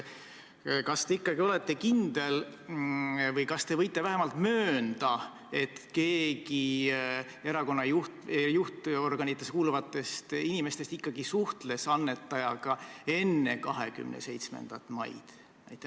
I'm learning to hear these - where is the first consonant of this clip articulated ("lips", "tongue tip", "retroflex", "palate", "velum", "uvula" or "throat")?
velum